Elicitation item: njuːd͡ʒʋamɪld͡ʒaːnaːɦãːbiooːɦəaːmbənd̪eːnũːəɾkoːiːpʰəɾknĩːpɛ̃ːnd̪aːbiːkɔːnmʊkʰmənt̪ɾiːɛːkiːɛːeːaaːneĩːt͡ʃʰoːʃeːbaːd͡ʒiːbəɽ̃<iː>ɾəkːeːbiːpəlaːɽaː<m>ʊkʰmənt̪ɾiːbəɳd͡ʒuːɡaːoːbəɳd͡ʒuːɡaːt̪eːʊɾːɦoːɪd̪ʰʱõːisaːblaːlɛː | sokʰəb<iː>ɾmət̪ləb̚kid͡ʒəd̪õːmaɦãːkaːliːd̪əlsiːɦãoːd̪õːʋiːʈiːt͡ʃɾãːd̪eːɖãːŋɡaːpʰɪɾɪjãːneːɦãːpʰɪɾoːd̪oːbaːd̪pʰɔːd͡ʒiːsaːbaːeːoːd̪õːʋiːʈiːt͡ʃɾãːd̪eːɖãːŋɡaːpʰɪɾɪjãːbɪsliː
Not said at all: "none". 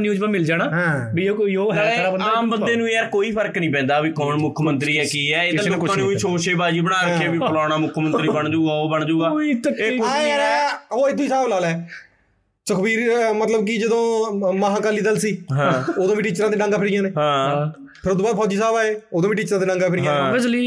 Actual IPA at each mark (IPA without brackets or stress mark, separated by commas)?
aː, m, iː